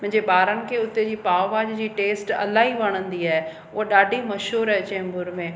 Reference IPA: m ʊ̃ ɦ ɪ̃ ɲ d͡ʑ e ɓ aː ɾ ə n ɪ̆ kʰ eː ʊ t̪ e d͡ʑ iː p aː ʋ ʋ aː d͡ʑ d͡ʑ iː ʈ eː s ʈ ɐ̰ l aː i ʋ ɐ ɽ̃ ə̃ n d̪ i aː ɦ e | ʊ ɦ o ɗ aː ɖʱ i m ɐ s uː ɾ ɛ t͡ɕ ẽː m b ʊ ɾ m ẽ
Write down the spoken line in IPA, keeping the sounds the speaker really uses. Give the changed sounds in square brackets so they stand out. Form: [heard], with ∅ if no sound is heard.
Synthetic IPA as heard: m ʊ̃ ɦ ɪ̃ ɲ d͡ʑ e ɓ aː ɾ ə n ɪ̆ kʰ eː ʊ t̪ e d͡ʑ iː p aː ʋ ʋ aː d͡ʑ d͡ʑ iː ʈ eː s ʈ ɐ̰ l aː i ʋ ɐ ɽ̃ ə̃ n d̪ i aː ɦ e | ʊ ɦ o ɗ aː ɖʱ i m ɐ [ʃ] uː ɾ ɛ t͡ɕ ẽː m b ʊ ɾ m ẽ